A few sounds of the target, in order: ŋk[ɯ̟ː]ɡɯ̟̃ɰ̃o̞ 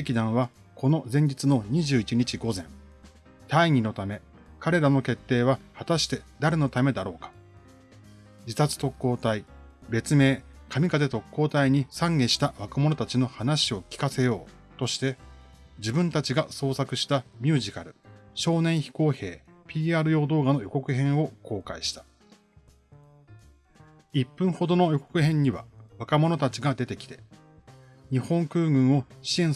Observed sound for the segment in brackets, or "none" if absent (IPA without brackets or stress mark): ɯ̟ː